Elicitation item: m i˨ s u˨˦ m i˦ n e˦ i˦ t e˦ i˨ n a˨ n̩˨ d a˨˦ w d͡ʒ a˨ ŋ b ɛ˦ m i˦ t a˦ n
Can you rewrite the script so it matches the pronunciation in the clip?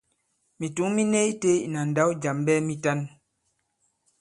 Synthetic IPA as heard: m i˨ t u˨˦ m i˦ n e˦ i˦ t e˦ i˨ n a˨ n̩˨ d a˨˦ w d͡ʒ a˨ m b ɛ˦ m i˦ t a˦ n